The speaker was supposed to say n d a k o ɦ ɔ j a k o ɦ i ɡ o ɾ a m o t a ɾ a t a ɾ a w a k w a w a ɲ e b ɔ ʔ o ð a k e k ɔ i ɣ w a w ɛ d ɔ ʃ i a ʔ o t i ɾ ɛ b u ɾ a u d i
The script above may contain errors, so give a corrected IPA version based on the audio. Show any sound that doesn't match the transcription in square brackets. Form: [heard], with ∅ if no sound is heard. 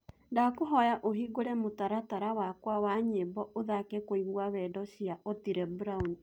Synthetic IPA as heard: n d a k o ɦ ɔ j a [ʔ] o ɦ i ɡ o ɾ [ɛ] m o t a ɾ a t a ɾ a w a k w a w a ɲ e b ɔ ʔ o ð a k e k [o] i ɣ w a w ɛ d ɔ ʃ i a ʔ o t i ɾ ɛ b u ɾ a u [n] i